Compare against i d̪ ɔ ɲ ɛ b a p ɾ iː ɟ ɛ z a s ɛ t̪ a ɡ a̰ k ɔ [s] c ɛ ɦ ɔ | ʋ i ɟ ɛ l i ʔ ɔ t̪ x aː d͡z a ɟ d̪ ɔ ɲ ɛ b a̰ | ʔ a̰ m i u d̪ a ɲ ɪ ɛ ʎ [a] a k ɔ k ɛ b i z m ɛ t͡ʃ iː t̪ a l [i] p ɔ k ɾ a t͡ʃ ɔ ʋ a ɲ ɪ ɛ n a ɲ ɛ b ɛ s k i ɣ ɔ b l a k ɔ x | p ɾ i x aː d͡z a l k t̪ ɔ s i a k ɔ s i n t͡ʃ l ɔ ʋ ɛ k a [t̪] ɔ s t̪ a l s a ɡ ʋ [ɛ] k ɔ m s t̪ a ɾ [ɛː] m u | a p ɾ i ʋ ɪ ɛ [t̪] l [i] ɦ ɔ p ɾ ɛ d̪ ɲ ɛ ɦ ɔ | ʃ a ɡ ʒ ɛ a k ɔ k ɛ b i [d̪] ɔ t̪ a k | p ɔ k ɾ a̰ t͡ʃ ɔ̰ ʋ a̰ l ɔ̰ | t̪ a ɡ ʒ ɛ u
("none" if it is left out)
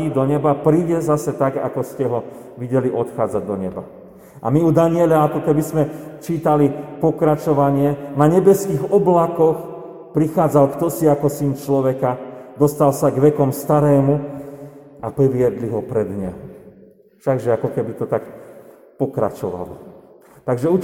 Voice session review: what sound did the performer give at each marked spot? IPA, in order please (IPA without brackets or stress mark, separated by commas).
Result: s, a, i, d̪, ɛ, ɛː, d̪, i, t̪